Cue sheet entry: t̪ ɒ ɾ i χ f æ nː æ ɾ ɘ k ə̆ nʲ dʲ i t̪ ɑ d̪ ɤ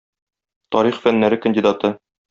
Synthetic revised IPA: t̪ ɒ ɾ i χ f æ nː æ ɾ ɘ k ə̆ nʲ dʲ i d̪ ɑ t̪ ɤ

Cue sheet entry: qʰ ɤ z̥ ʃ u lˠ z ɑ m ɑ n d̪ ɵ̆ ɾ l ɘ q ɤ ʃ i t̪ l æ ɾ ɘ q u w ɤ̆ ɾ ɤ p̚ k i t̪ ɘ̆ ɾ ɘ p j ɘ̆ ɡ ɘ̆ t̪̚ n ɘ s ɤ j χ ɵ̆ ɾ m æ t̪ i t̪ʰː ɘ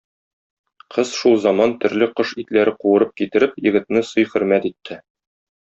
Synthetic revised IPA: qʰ ɤ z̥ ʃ u lˠ z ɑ m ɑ n t̪ ɵ̆ ɾ l ɘ q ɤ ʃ i t̪ l æ ɾ ɘ q u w ɤ̆ ɾ ɤ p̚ k i t̪ ɘ̆ ɾ ɘ p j ɘ̆ ɡ ɘ̆ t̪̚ n ɘ s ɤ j χ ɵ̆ ɾ m æ t̪ i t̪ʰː ɘ

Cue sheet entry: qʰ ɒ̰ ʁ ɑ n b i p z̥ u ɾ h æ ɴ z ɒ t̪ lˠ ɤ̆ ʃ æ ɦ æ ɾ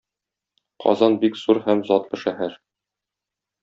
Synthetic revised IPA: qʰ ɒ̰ z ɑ n b i k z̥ u ɾ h æ m z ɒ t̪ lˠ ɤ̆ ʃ æ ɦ æ ɾ

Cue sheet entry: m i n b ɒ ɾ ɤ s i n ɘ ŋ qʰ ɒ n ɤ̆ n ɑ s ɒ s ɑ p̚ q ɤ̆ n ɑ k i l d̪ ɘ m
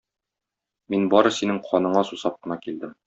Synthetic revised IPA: m i n b ɒ ɾ ɤ s i n ɘ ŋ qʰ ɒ n ɤ̆ ɴ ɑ s u s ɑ p̚ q ɤ̆ n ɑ k i l d̪ ɘ m

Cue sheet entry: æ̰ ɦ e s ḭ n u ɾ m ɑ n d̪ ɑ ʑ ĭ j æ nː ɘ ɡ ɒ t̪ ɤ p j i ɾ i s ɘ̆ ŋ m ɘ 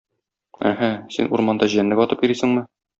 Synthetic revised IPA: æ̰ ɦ æ s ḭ n u ɾ m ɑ n d̪ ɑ ʑ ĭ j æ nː ɘ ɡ ɒ t̪ ɤ p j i ɾ i s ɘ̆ ŋ m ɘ

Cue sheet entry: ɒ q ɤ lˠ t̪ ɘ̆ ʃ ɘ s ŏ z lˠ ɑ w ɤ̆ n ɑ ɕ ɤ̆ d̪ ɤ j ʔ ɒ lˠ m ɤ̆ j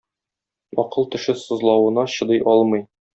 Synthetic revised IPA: ɒ q ɤ lˠ t̪ ɘ̆ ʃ ɘ s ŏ z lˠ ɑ w ɤ̆ n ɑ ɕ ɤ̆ d̪ ɤ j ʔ ɒ lˠ m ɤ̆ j

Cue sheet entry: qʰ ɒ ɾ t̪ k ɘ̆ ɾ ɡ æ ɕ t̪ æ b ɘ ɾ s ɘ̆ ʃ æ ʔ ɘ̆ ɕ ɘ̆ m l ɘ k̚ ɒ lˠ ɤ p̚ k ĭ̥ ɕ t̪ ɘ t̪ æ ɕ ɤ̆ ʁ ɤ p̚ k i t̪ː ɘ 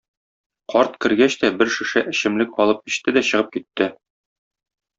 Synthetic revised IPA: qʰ ɒ ɾ t̪ k ɘ̆ ɾ ɡ æ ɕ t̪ æ b ɘ ɾ ʃ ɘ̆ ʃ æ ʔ ɘ̆ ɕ ɘ̆ m l ɘ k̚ ɒ lˠ ɤ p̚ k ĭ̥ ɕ t̪ ɘ d̪ æ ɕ ɤ̆ ʁ ɤ p̚ k i t̪ː ɘ

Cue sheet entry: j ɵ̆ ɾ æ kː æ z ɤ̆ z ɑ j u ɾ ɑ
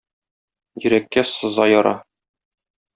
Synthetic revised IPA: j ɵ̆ ɾ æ kː æ s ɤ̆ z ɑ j ɒ ɾ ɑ

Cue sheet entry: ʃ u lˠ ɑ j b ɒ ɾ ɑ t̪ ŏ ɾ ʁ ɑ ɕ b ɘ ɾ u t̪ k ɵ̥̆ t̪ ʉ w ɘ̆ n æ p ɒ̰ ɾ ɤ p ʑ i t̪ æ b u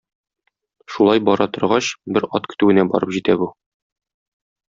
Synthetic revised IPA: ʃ u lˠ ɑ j b ɒ ɾ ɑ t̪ ŏ ɾ ʁ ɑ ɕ b ɘ ɾ ɒ t̪ k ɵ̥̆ t̪ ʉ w ɘ̆ n æ b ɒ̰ ɾ ɤ p ʑ i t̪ æ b u

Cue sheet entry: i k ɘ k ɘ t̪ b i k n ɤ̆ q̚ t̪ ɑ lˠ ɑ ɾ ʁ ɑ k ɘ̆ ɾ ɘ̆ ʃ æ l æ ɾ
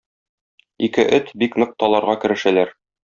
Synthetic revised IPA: i k ɘ ʔ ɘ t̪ b i k n ɤ̆ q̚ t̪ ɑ lˠ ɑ ɾ ʁ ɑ k ɘ̆ ɾ ɘ̆ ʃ æ l æ ɾ

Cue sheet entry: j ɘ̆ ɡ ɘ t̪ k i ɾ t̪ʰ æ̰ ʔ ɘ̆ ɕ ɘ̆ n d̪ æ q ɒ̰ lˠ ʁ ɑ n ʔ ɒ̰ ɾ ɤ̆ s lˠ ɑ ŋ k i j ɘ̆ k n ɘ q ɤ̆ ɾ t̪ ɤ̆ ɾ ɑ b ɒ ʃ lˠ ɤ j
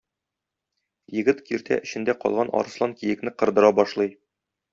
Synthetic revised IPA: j ɘ̆ ɡ ɘ t̪ k i ɾ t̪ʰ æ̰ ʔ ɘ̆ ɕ ɘ̆ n d̪ æ q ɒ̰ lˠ ʁ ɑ n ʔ ɒ̰ ɾ ɤ̆ s lˠ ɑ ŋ k i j ɘ̆ k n ɘ q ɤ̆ ɾ d̪ ɤ̆ ɾ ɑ b ɒ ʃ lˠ ɤ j

